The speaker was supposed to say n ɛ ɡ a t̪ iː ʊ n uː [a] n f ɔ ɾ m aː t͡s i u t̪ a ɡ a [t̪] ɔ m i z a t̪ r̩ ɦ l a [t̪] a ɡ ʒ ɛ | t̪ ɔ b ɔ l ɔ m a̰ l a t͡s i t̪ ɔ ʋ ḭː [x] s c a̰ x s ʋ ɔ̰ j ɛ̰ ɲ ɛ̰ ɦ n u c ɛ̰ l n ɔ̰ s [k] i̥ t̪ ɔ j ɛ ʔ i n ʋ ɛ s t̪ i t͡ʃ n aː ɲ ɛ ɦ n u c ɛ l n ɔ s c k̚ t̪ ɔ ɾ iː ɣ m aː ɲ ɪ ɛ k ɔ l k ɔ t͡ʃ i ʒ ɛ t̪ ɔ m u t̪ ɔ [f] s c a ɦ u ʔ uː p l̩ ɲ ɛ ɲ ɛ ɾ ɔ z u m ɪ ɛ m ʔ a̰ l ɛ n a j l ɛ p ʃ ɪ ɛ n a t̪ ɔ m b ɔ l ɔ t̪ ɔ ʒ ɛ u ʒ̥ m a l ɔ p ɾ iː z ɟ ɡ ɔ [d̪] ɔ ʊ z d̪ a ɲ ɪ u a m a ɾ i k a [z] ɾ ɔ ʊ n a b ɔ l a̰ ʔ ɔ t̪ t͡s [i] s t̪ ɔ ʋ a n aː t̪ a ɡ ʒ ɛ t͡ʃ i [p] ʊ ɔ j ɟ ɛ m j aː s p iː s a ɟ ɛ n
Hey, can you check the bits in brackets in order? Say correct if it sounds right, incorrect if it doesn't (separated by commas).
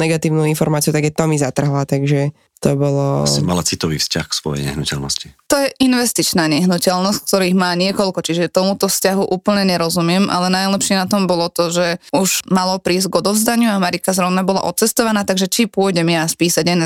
incorrect, correct, correct, incorrect, incorrect, correct, correct, correct, incorrect, correct